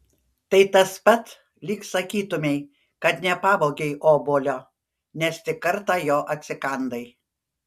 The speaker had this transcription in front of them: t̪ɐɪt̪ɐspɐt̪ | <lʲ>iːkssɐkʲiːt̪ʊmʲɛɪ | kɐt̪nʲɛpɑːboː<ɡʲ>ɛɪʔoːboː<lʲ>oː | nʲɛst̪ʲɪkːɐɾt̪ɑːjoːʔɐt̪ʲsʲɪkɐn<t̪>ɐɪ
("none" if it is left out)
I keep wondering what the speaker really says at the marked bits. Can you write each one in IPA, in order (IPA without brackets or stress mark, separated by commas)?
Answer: lʲ, ɡʲ, lʲ, d̪